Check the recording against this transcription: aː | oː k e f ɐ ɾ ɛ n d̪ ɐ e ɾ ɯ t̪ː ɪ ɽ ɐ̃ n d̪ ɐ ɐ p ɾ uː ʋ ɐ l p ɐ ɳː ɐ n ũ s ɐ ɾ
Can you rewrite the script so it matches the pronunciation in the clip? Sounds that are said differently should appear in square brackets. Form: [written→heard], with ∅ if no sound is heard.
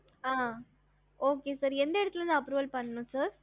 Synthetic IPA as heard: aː | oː k e [f→s] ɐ ɾ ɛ n d̪ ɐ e [ɾ→ɽ] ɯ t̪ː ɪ [ɽ→l] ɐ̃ n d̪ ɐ ɐ p ɾ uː ʋ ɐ l p ɐ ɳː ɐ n ũ s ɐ ɾ